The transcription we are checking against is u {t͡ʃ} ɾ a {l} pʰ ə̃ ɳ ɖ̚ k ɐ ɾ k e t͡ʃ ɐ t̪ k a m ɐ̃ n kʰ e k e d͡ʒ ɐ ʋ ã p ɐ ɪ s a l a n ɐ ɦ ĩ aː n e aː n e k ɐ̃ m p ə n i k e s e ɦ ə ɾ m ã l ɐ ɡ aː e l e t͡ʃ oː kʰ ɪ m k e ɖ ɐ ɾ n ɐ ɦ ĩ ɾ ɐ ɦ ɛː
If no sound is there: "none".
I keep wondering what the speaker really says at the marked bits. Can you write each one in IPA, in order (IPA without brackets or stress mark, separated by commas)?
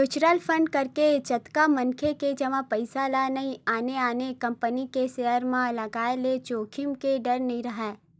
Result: t͡ʃ, l